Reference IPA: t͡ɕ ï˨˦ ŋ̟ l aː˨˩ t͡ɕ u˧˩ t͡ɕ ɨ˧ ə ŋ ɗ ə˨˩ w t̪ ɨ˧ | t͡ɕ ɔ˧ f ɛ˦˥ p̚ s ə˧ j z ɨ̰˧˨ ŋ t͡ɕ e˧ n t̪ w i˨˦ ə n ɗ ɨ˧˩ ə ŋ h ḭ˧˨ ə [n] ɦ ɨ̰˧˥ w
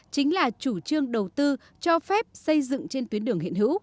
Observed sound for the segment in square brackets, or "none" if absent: n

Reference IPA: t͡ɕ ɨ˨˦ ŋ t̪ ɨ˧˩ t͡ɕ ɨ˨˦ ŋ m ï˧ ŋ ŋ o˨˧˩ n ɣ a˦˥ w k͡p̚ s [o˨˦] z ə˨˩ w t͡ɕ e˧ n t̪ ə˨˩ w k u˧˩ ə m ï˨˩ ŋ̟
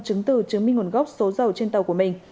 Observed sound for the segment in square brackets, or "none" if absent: o˨˦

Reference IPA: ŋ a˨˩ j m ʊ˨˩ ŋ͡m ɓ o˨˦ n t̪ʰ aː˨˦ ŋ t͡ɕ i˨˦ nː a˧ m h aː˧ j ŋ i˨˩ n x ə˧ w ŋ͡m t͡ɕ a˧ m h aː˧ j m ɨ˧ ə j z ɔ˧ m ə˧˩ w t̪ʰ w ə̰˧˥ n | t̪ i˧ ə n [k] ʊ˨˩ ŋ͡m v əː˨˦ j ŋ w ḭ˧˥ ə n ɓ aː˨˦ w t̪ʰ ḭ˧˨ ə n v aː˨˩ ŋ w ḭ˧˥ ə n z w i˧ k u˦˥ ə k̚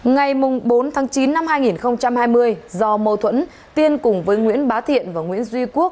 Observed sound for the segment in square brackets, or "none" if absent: k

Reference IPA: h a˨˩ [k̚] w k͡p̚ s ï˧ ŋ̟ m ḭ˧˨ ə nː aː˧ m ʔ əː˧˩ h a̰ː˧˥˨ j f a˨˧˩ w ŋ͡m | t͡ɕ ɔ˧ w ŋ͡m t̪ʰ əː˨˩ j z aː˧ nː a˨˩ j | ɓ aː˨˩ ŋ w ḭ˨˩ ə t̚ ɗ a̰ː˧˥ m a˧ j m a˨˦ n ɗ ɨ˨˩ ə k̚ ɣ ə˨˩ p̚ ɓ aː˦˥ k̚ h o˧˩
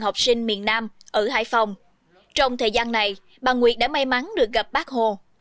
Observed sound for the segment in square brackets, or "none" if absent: none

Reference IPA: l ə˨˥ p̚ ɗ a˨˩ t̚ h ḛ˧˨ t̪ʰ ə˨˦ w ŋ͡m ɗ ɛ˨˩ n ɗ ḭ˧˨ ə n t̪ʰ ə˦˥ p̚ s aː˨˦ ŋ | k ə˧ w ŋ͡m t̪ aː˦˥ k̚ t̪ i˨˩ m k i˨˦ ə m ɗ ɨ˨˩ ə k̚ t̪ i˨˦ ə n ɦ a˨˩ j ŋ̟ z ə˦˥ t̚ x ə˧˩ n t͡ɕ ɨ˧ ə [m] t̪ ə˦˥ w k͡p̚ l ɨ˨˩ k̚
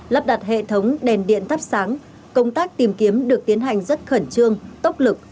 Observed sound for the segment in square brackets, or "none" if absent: ŋ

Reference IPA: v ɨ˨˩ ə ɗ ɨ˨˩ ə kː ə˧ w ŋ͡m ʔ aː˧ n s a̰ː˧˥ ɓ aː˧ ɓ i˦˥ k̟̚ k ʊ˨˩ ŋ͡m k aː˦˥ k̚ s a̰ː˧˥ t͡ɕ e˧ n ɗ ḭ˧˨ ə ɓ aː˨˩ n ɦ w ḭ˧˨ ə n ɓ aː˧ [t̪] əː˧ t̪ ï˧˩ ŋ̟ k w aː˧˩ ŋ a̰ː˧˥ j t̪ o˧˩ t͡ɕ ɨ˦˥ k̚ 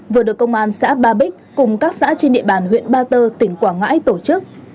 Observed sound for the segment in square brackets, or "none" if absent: t̪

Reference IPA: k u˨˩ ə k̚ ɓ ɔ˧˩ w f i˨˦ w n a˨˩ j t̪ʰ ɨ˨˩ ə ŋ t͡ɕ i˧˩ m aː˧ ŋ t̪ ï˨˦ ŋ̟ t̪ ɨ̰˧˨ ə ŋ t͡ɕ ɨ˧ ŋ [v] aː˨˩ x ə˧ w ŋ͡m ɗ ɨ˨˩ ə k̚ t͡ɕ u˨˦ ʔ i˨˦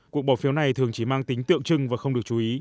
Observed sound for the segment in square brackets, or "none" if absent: v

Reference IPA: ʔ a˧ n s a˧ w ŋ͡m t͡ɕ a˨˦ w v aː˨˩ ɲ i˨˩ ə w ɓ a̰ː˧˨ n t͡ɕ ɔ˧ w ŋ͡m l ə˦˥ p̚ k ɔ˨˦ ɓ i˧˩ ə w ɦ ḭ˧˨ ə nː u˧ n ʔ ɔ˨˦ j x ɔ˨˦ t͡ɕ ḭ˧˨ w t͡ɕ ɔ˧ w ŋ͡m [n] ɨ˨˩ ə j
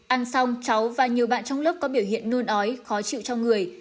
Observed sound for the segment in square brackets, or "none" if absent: ŋ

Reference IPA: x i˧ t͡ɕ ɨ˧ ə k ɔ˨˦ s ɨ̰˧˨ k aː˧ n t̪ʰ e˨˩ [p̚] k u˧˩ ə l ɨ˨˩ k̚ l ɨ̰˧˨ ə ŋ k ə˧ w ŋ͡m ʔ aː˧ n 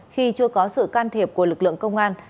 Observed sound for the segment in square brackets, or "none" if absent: p̚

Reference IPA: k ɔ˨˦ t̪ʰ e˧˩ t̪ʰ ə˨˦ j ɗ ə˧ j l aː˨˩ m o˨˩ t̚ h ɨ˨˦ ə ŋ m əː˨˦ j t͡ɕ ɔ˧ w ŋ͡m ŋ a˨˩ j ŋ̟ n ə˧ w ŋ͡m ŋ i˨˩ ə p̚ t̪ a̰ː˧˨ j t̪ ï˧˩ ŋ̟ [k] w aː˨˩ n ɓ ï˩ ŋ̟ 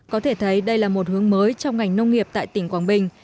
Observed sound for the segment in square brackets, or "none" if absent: k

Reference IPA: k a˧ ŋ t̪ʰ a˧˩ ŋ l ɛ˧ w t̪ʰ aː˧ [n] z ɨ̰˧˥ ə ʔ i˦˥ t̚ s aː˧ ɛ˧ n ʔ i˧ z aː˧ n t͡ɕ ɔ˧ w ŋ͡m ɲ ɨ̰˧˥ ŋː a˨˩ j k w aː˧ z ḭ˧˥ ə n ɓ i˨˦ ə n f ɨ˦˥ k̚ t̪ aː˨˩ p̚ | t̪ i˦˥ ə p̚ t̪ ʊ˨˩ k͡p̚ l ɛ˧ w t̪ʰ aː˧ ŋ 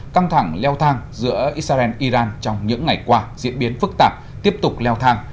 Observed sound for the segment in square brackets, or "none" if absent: ŋ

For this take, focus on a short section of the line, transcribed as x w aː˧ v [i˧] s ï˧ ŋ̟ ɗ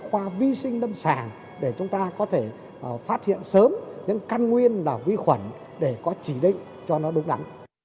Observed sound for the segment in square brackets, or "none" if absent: i˧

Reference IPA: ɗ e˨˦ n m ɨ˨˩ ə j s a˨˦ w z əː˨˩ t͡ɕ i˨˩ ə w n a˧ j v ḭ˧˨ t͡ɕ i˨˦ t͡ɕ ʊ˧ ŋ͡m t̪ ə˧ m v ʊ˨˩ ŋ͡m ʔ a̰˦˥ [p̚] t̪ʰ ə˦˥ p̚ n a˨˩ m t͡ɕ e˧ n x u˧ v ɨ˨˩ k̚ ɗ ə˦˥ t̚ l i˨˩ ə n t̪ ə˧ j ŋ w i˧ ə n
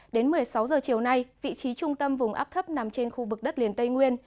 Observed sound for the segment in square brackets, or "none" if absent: p̚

